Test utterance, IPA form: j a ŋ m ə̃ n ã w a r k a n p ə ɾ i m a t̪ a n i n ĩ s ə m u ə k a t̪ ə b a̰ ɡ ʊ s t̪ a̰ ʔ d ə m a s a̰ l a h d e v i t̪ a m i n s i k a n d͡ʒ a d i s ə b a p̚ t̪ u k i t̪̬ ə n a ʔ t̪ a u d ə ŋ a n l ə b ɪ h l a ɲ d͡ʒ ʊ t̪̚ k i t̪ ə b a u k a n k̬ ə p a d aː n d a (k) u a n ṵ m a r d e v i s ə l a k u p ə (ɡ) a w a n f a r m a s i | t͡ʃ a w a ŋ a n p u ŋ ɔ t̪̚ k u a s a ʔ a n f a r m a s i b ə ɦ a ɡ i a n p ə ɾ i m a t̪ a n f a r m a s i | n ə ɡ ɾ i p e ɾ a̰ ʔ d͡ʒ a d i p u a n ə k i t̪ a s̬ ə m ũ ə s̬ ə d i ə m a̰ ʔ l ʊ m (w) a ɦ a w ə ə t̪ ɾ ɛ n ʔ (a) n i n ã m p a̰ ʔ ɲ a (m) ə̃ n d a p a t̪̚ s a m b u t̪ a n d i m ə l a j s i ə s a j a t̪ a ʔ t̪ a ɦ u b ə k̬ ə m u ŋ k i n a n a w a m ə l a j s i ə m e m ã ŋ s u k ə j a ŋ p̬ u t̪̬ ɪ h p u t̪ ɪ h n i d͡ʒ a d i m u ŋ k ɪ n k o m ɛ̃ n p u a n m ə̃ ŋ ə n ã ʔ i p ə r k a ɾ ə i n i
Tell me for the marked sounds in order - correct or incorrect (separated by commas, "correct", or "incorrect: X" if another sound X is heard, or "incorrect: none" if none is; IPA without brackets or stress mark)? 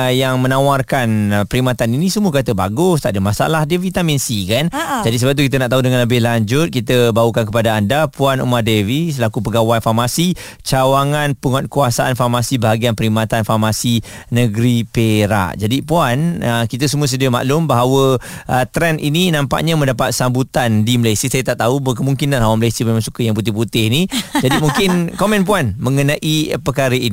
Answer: incorrect: p, correct, incorrect: b, incorrect: i, correct